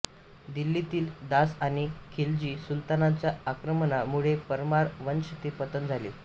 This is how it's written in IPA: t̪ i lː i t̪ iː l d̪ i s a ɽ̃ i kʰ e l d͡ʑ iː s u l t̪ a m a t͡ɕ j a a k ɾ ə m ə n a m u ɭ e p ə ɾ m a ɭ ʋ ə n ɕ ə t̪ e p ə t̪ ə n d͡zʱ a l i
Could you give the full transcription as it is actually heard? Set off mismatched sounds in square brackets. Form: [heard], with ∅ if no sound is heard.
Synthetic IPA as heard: [d̪] i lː i t̪ iː l d̪ [a] s a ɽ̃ i kʰ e l d͡ʑ iː s u l t̪ a [n] a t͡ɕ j a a k ɾ ə m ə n a m u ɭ e p ə ɾ m a [ɾ] ʋ ə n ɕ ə t̪ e p ə t̪ ə n d͡zʱ a l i